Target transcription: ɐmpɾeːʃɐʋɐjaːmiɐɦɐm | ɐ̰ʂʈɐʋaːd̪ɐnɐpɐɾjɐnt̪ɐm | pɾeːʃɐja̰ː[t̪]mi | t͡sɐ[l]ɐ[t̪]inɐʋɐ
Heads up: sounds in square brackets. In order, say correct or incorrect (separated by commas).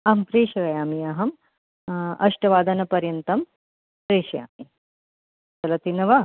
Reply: incorrect, correct, correct